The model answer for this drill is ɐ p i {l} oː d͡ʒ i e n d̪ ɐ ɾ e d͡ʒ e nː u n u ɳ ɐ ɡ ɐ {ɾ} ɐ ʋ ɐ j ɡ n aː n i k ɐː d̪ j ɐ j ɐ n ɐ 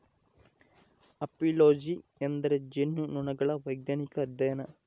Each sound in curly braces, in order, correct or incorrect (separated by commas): correct, incorrect